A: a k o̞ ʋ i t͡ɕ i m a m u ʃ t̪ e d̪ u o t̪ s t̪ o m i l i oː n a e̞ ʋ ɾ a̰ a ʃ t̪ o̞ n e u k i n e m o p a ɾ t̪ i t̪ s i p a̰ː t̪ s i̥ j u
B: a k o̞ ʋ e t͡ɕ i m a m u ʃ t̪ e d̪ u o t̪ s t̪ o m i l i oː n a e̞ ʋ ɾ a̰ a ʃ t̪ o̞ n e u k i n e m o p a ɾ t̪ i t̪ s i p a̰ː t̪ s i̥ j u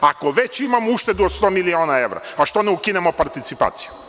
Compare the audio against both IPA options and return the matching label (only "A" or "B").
B